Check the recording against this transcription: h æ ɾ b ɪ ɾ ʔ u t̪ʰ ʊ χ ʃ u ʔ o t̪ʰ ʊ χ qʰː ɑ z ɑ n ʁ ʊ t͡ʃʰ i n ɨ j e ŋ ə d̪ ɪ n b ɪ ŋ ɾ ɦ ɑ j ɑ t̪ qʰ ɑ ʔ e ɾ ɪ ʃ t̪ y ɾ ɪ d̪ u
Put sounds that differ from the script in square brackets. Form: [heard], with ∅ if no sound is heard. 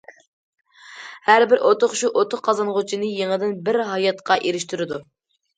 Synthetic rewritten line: h æ ɾ b ɪ ɾ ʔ [o] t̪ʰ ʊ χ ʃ u ʔ o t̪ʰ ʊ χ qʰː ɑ z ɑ n ʁ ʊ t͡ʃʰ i n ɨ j e ŋ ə d̪ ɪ n b ɪ [∅] ɾ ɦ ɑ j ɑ t̪ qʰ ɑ ʔ e ɾ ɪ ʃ t̪ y ɾ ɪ d̪ u